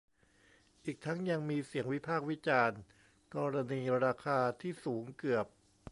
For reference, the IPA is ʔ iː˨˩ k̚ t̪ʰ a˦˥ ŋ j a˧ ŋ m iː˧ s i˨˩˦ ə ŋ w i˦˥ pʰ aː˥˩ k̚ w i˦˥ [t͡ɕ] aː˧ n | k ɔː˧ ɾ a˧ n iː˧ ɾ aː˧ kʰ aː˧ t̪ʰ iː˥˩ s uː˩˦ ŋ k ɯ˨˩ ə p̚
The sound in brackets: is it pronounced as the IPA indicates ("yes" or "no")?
yes